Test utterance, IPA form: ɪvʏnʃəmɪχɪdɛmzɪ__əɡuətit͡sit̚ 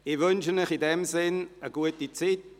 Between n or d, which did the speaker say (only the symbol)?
n